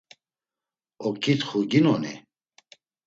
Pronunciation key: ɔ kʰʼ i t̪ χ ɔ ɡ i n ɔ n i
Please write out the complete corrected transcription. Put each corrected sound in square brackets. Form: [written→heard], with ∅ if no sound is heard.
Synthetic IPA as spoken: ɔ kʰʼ i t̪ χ [ɔ→u] ɡ i n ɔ n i